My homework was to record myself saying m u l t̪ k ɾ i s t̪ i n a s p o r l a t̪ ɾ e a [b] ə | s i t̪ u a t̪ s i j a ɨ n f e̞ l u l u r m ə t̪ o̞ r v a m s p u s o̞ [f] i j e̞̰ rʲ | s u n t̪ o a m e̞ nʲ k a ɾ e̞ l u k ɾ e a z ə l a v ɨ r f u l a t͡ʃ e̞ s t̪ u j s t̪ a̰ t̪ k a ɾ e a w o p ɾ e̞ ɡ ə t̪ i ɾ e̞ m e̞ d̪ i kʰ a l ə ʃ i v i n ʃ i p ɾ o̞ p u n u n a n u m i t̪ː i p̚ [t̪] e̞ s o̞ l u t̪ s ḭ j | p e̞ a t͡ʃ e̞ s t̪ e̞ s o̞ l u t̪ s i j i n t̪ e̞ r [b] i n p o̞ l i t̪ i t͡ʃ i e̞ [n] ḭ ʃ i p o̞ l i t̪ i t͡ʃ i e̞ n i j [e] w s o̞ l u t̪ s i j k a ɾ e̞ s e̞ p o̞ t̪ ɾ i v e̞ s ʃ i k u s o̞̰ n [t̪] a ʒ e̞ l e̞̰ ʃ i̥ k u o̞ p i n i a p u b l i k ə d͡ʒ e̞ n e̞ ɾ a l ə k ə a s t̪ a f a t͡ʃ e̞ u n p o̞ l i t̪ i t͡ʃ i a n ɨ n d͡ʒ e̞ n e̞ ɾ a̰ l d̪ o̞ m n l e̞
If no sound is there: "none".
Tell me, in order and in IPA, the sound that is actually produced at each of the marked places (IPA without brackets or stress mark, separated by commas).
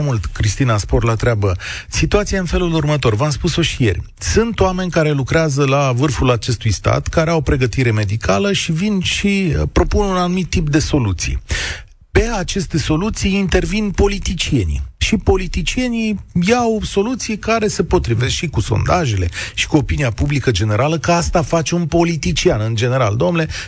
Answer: b, ʃ, d̪, v, n, a, d̪